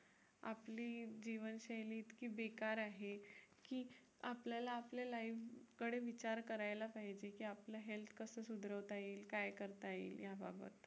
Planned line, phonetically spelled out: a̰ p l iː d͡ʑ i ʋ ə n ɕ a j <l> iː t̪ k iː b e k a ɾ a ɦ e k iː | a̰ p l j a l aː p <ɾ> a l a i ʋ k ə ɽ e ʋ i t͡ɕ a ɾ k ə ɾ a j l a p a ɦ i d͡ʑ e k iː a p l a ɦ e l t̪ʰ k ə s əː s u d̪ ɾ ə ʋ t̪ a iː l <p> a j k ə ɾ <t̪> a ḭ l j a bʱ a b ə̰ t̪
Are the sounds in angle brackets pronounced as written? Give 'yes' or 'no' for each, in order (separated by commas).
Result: yes, no, no, yes